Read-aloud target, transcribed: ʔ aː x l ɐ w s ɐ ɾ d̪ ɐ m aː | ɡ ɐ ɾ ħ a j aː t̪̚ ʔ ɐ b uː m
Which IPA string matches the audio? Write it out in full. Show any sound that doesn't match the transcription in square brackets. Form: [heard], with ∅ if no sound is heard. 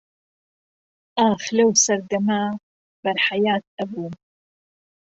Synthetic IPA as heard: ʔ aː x l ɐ w s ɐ ɾ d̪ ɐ m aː | [b] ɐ ɾ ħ a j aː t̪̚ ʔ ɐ b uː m